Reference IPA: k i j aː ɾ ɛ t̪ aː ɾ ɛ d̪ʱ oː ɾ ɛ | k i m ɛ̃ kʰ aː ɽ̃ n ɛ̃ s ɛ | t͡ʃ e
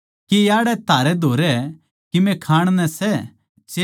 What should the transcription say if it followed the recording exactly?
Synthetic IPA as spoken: k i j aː ɽ ɛ t̪ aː ɾ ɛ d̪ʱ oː ɾ ɛ | k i m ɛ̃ kʰ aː ɽ̃ n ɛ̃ s ɛ | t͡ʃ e